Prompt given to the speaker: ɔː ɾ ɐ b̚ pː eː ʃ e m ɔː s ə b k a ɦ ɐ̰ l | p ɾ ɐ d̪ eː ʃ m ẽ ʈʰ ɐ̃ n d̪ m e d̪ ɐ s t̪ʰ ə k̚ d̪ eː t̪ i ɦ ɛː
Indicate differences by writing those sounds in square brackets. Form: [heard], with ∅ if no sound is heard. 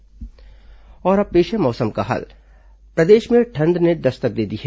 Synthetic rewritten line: ɔː ɾ ɐ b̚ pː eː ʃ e m ɔː s ə [m] k a ɦ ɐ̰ l | p ɾ ɐ d̪ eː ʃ m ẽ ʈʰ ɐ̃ n d̪ [n] e d̪ ɐ s [t̪] ə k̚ d̪ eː [d̪] i ɦ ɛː